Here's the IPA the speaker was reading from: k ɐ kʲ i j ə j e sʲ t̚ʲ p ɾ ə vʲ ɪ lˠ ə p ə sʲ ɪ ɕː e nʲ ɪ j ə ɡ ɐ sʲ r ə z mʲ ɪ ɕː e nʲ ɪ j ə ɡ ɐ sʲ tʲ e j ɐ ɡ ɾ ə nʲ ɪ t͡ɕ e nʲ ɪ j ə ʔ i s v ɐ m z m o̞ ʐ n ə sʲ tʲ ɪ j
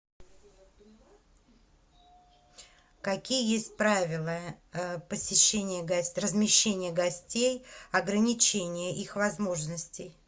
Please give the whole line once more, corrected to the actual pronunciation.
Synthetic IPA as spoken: k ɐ kʲ i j ə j e sʲ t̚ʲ p ɾ a vʲ ɪ lˠ ə p ə sʲ ɪ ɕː e nʲ ɪ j ə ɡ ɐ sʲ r ə z mʲ ɪ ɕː e nʲ ɪ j ə ɡ ɐ sʲ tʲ e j ɐ ɡ ɾ ə nʲ ɪ t͡ɕ e nʲ ɪ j ə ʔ i x v ɐ z m o̞ ʐ n ə sʲ tʲ ɪ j